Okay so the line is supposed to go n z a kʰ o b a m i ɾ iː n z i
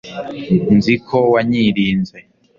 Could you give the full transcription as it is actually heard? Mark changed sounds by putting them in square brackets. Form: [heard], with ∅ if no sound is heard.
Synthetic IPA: n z [i] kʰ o [w] a [ɲ] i ɾ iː n z [e]

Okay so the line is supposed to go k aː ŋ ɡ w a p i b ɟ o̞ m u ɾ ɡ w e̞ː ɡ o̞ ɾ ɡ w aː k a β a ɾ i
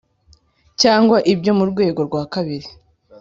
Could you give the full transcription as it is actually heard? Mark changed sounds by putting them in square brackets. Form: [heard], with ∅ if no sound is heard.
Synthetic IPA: [c] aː ŋ ɡ w a [ʔ] i b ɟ o̞ m u ɾ ɡ w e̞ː ɡ o̞ ɾ ɡ w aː k a β [i] ɾ i

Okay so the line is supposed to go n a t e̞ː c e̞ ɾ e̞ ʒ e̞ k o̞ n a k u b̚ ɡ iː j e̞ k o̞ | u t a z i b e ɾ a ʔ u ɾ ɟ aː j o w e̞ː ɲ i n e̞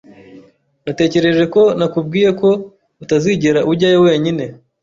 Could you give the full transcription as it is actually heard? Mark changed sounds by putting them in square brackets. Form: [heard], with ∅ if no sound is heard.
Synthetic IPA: n a t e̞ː c e̞ ɾ e̞ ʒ e̞ k o̞ n a k u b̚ ɡ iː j e̞ k o̞ | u t a z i [ɟ] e ɾ a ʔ u ɾ ɟ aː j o w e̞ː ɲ i n e̞

